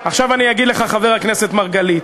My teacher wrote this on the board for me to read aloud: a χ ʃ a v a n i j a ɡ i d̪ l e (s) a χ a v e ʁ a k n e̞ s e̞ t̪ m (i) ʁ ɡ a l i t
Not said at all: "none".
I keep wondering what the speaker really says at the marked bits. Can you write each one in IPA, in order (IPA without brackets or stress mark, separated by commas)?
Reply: χ, a